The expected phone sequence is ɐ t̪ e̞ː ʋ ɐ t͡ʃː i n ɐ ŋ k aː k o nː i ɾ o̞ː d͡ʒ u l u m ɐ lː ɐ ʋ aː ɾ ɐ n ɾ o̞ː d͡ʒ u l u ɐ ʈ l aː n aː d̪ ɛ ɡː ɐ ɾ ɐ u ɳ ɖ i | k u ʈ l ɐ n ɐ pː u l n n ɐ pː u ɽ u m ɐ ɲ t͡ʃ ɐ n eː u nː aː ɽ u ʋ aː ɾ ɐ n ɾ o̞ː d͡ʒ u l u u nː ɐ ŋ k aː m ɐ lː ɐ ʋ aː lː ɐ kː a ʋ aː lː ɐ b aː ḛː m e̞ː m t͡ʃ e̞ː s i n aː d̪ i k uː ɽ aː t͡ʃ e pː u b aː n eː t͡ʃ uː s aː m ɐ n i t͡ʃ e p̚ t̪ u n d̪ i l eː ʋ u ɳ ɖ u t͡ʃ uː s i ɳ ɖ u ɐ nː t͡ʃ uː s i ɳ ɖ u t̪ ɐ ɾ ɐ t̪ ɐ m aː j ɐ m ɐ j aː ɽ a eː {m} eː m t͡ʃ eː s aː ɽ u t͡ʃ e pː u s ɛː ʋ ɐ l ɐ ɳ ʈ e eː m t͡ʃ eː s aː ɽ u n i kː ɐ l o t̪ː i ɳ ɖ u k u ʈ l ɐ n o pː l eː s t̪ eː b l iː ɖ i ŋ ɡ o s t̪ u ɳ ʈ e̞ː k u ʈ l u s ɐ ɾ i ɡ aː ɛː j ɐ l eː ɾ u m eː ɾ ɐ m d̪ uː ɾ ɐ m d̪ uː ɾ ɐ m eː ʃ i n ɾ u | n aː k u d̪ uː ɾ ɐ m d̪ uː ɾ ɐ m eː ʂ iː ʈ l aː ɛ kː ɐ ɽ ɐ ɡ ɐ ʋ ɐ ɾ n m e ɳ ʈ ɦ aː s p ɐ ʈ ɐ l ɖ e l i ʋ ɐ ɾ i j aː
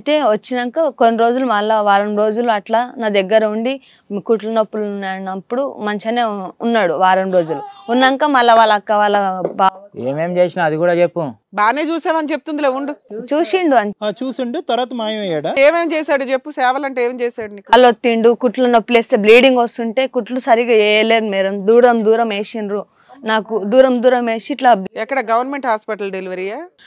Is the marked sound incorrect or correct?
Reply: correct